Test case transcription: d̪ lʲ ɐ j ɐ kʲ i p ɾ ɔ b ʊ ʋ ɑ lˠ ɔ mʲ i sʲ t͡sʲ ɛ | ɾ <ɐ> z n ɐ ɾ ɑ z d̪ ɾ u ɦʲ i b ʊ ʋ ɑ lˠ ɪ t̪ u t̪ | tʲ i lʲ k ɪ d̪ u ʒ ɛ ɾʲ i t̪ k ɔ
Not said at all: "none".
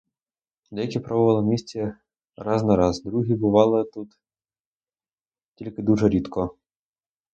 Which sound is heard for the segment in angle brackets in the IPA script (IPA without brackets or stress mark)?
ɑ